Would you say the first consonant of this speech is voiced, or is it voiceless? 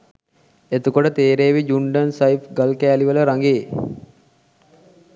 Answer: voiceless